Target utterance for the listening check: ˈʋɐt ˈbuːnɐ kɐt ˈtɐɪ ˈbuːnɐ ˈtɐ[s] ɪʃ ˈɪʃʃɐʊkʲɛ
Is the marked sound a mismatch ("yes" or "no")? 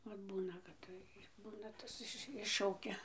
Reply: no